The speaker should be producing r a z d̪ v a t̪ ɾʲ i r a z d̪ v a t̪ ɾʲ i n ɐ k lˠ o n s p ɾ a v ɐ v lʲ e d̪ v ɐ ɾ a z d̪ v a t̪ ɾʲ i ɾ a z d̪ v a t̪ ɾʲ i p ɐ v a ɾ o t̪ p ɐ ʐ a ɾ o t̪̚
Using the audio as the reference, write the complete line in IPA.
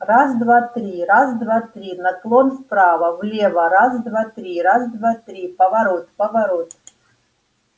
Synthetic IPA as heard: r a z d̪ v a t̪ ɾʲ i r a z d̪ v a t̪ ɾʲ i n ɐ k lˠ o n s p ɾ a v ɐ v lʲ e v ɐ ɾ a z d̪ v a t̪ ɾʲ i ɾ a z d̪ v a t̪ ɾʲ i p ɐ v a ɾ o t̪ p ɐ v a ɾ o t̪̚